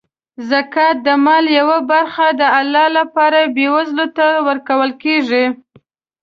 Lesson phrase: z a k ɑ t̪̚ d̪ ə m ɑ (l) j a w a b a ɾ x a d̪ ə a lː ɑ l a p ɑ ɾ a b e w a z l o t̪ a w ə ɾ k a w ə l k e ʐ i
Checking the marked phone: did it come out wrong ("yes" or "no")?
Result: no